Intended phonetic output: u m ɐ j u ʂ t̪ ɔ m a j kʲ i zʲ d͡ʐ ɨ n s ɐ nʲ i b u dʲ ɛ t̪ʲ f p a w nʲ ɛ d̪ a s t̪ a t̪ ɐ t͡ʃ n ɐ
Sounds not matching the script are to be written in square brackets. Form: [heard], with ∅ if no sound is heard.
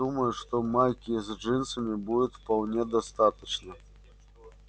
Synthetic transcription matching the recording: u m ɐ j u ʂ t̪ ɔ m a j kʲ i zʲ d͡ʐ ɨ n s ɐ [mʲ] i b u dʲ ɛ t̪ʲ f p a w nʲ ɛ d̪ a s t̪ a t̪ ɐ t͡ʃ n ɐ